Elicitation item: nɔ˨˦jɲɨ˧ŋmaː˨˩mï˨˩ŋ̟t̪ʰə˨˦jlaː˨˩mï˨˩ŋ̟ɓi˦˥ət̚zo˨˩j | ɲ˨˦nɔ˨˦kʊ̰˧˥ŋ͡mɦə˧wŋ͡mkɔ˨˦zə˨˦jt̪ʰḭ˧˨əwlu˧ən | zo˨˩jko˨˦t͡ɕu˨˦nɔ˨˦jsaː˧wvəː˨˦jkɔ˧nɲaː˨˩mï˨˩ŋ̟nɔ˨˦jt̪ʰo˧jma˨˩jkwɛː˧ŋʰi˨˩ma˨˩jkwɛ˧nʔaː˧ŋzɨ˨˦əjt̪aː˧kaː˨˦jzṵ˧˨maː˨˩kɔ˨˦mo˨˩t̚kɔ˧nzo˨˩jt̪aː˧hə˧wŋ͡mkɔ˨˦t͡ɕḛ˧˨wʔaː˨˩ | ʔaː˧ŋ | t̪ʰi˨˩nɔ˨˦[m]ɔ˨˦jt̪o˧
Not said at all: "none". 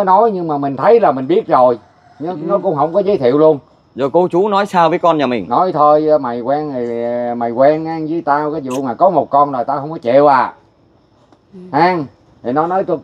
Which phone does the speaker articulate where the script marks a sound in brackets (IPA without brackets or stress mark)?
n